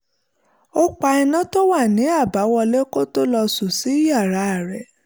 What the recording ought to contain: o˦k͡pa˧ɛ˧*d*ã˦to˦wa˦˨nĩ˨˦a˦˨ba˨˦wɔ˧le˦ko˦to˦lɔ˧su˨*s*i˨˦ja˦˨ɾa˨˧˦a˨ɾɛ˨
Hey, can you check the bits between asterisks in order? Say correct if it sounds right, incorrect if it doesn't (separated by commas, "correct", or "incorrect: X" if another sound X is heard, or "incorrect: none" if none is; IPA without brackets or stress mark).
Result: incorrect: n, correct